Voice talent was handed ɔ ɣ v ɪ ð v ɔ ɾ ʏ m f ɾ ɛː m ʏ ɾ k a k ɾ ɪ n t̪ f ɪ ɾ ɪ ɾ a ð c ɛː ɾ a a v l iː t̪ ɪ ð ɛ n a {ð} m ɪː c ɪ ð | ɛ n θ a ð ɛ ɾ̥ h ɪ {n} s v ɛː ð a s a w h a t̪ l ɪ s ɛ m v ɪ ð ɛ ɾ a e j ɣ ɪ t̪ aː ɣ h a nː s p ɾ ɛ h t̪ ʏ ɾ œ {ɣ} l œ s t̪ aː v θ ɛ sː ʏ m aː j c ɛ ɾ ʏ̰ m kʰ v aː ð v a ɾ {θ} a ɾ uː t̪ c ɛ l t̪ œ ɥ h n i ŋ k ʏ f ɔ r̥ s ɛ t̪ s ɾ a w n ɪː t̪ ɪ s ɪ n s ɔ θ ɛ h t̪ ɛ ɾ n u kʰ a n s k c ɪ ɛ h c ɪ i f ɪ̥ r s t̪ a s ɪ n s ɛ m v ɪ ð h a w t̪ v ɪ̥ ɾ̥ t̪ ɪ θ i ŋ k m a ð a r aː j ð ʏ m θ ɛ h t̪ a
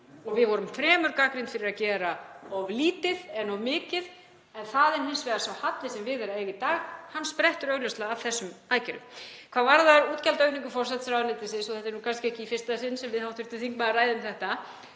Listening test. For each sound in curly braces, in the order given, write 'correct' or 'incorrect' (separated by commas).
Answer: incorrect, correct, correct, incorrect